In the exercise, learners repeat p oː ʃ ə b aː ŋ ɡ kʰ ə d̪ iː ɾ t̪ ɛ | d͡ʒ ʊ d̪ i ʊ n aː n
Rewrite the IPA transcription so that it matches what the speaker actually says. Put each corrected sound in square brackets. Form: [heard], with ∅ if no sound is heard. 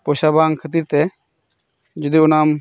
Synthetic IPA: p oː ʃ [a] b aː ŋ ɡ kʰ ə [t̪] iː ɾ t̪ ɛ | d͡ʒ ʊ d̪ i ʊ n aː [m]